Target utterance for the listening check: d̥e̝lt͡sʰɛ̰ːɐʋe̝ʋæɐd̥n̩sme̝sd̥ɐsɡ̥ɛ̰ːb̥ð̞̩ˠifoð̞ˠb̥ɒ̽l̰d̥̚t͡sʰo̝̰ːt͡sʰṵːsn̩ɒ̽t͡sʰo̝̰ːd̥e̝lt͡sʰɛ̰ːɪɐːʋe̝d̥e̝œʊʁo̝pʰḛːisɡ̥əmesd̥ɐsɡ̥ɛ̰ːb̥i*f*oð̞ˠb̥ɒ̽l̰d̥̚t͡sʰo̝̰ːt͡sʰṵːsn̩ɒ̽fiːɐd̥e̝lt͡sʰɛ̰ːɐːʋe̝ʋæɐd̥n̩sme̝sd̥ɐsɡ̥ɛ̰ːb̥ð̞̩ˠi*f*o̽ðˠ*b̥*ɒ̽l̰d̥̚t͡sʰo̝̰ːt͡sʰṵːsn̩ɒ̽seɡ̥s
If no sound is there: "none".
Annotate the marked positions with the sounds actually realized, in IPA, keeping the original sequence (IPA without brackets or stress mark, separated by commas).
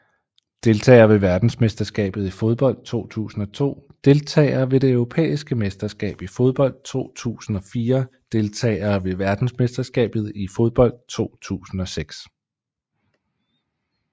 f, f, b̥